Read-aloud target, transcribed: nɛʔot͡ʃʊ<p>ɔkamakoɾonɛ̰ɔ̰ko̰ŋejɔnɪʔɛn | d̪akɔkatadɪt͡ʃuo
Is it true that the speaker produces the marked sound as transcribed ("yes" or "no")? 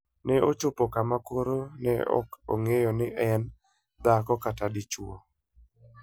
yes